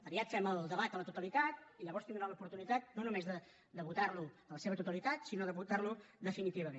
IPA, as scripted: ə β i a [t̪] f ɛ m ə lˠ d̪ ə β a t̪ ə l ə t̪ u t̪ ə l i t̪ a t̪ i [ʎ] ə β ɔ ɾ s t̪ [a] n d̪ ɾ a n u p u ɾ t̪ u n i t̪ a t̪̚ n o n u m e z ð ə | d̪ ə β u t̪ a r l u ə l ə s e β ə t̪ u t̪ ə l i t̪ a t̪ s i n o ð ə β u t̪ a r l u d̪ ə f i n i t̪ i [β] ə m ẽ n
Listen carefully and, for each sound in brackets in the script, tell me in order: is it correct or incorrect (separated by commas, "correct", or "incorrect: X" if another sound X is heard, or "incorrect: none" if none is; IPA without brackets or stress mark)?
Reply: correct, correct, incorrect: i, correct